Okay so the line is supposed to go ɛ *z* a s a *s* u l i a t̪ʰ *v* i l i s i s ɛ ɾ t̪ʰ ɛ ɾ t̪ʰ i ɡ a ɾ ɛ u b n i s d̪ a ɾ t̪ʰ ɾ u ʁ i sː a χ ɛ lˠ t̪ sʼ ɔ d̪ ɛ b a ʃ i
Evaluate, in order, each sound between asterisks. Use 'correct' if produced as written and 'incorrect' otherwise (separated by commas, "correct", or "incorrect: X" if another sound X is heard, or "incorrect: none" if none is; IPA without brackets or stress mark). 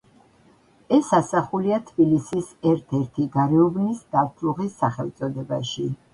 incorrect: s, incorrect: χ, incorrect: b